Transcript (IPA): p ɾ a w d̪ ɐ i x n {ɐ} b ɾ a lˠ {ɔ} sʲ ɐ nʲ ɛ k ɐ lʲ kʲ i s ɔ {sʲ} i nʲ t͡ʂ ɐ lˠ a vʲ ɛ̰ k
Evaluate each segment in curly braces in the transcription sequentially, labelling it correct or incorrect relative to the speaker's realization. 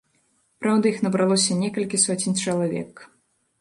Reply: correct, correct, incorrect: t͡sʲ

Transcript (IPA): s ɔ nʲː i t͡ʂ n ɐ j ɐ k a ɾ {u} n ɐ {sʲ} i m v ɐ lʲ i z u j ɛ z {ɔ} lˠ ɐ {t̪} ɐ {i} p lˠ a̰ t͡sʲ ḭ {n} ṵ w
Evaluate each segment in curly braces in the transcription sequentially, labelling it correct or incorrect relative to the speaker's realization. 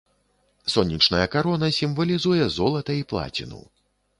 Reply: incorrect: ɔ, correct, correct, correct, correct, correct

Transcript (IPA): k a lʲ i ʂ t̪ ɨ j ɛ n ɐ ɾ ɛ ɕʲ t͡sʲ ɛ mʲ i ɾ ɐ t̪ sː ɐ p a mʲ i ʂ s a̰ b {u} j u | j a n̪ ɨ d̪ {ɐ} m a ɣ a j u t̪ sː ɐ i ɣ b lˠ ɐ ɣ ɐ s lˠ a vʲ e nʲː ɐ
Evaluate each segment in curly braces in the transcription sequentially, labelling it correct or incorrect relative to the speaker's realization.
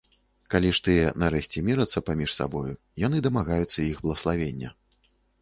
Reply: incorrect: ɔ, correct

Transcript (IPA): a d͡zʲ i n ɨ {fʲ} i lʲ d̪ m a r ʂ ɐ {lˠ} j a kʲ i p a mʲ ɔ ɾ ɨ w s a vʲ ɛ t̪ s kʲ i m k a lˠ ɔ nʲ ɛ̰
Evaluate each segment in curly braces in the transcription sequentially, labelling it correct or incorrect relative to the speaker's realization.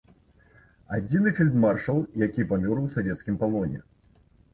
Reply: correct, correct

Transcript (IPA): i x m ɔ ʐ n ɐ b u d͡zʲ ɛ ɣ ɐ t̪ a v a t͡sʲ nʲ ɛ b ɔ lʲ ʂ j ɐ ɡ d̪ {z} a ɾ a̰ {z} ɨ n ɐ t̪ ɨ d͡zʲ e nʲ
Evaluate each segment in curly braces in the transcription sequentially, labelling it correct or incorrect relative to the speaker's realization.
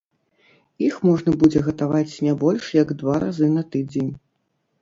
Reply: incorrect: v, correct

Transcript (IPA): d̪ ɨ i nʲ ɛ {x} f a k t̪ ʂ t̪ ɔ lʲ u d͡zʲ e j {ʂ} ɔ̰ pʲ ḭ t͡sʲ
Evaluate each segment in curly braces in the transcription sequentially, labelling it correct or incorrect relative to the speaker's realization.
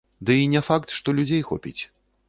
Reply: incorrect: none, incorrect: x

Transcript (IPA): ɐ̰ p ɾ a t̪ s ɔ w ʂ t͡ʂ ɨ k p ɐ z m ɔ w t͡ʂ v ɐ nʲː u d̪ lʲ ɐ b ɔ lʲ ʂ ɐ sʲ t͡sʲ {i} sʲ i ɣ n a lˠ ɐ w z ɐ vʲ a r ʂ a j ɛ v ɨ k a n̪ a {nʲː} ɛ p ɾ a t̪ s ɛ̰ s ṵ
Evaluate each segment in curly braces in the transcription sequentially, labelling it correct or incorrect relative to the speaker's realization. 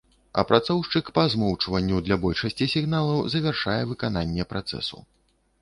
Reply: correct, correct

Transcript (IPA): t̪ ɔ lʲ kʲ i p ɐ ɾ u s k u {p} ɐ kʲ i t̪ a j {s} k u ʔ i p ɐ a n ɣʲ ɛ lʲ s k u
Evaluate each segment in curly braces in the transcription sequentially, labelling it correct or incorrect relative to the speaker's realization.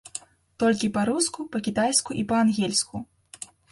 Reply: correct, correct

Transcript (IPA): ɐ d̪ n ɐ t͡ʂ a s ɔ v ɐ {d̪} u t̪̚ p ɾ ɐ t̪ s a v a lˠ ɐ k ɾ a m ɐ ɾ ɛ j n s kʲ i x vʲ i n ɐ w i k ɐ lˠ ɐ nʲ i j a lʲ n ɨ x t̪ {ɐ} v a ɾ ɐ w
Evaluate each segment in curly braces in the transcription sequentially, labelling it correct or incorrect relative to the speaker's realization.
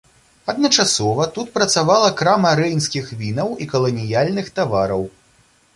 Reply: incorrect: t̪, incorrect: a

